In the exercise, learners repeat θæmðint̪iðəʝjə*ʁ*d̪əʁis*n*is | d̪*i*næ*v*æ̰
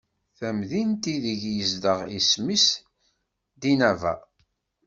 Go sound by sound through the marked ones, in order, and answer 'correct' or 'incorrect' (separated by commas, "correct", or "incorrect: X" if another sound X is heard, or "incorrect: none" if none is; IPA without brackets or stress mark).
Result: incorrect: z, incorrect: m, correct, correct